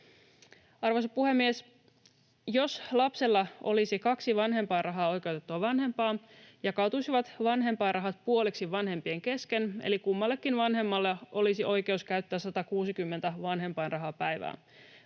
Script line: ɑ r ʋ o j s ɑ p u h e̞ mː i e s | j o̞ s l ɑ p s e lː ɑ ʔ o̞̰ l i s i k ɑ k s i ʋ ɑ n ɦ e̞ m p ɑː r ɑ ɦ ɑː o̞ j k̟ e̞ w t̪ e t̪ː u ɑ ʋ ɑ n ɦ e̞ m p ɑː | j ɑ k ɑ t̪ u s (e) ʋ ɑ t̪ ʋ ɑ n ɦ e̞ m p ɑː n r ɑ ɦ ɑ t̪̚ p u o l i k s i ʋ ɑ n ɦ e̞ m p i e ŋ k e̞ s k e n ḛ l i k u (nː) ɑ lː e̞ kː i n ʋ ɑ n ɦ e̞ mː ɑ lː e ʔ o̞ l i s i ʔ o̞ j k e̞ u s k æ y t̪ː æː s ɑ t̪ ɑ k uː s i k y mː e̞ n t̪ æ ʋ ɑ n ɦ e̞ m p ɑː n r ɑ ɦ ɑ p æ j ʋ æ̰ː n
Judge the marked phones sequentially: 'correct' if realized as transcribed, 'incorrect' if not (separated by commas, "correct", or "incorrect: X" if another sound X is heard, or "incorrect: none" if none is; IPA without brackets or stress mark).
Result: incorrect: i, incorrect: mː